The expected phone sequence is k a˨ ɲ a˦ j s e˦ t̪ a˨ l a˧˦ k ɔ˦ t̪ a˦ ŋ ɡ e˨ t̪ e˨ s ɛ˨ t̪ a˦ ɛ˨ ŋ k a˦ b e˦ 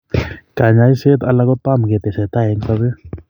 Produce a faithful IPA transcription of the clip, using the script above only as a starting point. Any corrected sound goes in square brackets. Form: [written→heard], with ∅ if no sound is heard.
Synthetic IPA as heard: k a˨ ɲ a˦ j s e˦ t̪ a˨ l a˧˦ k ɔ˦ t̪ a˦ [ŋ→m] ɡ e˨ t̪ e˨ s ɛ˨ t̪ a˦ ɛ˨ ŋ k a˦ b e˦